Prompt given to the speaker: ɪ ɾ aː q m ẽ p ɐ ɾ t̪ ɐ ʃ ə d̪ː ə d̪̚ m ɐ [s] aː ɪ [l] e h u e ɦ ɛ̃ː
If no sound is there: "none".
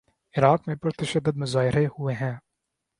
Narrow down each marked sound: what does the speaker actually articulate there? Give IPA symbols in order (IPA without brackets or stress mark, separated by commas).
z, ɾ